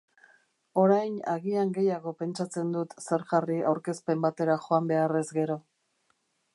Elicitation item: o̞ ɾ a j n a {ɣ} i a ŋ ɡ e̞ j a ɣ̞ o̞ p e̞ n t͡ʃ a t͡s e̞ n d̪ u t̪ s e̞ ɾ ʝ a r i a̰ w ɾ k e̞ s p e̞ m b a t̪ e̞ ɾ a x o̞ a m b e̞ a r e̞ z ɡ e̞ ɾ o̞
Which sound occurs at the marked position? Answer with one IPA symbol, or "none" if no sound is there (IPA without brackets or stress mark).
ɣ